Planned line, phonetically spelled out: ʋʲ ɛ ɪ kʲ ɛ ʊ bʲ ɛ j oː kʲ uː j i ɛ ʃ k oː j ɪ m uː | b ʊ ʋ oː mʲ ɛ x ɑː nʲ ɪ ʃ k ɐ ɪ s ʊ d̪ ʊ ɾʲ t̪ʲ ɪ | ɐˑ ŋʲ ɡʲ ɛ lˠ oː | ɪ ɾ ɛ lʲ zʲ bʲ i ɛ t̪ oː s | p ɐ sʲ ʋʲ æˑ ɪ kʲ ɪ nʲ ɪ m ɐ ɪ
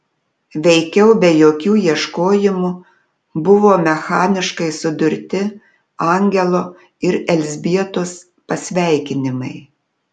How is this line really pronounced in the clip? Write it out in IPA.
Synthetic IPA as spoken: ʋʲ ɛ ɪ kʲ ɛ ʊ bʲ ɛ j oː kʲ uː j i ɛ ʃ k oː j ɪ m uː | b ʊ ʋ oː mʲ ɛ x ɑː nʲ ɪ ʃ k ɐ ɪ s ʊ d̪ ʊ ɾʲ t̪ʲ ɪ | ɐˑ ŋʲ ɡʲ ɛ lˠ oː | ɪ ɾ ɛ lʲ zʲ bʲ i ɛ t̪ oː s | p ɐ sʲ ʋʲ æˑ ɪ kʲ ɪ nʲ ɪ m ɐ ɪ